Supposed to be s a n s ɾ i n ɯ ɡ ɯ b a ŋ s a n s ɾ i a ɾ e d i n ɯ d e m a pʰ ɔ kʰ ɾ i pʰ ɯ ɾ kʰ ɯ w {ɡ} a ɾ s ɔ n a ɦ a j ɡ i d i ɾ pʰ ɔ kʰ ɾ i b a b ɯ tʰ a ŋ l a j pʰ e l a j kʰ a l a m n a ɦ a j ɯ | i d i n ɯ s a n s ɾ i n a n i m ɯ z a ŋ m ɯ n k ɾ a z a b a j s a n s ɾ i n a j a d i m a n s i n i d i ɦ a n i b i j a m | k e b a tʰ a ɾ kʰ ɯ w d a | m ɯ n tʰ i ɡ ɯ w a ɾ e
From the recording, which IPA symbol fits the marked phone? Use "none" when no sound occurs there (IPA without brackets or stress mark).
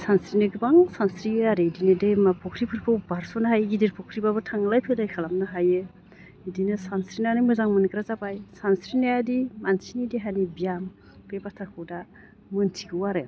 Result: b